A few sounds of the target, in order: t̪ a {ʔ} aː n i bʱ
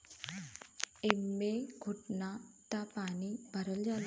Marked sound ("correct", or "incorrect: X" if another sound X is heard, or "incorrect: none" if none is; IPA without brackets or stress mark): incorrect: p